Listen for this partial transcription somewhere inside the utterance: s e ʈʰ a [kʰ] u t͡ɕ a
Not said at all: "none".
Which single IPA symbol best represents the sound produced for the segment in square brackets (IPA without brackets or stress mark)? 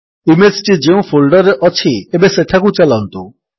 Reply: k